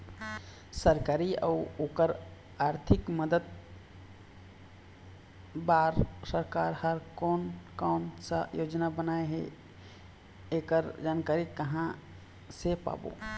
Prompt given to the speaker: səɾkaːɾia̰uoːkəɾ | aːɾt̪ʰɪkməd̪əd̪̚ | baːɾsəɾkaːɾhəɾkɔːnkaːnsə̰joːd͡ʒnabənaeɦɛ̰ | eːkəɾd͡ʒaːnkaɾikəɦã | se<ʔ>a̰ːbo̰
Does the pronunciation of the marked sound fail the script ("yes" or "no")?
yes